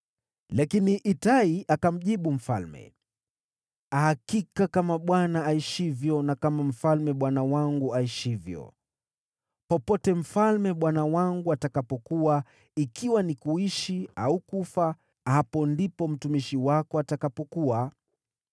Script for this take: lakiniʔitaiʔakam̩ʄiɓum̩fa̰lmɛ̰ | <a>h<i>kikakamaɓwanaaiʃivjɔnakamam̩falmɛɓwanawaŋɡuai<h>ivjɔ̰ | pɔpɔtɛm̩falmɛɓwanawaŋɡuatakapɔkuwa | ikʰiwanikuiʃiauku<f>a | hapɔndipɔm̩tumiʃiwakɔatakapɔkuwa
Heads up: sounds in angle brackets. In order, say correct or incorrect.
correct, incorrect: a, incorrect: ʃ, correct

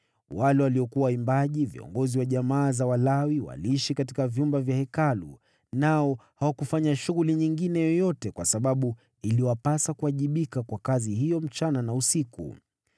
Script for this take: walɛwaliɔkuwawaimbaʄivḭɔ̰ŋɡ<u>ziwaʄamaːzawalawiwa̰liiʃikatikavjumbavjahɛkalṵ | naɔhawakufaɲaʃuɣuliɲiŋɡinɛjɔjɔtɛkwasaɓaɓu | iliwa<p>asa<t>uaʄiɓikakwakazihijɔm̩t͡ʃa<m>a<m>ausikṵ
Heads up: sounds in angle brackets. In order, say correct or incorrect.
incorrect: ɔ, correct, incorrect: k, incorrect: n, incorrect: n

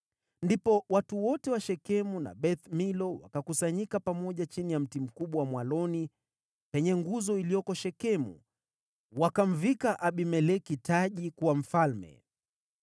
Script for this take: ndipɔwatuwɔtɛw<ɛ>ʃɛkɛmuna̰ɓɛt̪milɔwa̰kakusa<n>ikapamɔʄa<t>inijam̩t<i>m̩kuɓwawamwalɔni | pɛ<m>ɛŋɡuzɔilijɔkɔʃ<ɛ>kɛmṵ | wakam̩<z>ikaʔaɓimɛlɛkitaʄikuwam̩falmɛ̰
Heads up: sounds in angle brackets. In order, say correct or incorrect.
incorrect: a, incorrect: ɲ, incorrect: t͡ʃ, correct, incorrect: ɲ, correct, incorrect: v

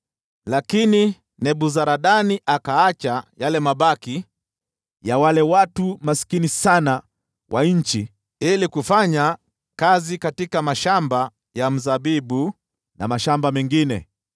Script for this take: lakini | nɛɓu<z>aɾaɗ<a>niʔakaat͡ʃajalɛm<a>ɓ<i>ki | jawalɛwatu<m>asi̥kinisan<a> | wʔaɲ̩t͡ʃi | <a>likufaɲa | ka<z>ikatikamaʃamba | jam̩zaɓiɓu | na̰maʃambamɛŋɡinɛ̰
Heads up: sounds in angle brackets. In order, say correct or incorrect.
correct, correct, correct, incorrect: a, correct, correct, incorrect: i, correct

